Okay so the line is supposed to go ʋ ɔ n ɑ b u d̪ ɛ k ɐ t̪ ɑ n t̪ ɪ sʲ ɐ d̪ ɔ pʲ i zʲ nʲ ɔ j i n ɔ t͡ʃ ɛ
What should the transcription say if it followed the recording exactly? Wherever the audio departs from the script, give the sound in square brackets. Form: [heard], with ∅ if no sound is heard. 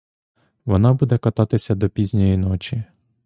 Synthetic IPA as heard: ʋ ɔ n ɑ b u d̪ ɛ k ɐ t̪ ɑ [∅] t̪ ɪ sʲ ɐ d̪ ɔ pʲ i zʲ nʲ ɔ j i n ɔ t͡ʃ [i]